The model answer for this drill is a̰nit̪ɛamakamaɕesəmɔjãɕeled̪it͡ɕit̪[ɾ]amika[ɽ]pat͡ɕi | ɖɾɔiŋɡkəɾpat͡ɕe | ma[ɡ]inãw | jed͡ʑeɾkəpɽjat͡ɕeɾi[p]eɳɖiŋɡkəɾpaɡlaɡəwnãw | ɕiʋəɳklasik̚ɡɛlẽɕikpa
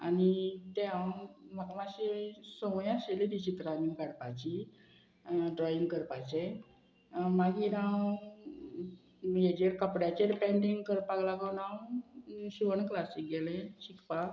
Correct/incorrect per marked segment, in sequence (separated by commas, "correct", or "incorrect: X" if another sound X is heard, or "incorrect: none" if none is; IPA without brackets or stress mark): correct, correct, correct, correct